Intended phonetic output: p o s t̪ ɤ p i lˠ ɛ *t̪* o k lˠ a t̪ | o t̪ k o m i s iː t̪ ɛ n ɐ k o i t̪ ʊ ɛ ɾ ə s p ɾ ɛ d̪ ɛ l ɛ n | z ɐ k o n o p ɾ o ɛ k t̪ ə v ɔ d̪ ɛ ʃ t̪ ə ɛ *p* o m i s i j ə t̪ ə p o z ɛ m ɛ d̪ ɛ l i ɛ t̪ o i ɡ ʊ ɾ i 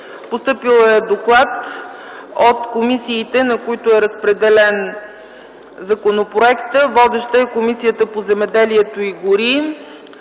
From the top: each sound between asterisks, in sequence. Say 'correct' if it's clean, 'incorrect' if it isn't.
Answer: incorrect, incorrect

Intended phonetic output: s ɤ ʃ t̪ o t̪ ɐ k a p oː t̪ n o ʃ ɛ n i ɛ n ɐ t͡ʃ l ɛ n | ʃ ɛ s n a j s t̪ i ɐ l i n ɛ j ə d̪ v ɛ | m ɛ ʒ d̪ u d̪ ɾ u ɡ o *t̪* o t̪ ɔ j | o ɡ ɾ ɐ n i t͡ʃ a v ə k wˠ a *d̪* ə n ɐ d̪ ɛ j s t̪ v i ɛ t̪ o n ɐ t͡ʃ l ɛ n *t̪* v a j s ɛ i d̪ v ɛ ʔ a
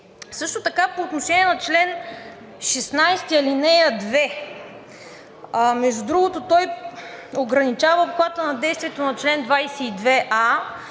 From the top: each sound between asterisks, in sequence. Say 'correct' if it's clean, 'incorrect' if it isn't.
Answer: correct, incorrect, incorrect

